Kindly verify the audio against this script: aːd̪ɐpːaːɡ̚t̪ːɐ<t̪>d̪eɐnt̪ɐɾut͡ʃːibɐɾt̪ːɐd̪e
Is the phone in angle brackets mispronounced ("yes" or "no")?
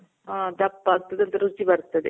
yes